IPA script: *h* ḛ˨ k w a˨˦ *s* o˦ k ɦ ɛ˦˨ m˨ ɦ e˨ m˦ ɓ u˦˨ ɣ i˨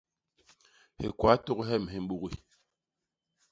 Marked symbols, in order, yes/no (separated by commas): yes, no